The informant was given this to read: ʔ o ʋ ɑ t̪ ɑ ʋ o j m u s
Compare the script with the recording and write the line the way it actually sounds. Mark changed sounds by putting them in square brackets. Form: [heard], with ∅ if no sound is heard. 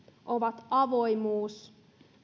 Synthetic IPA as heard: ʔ o ʋ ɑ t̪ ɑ ʋ o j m [uː] s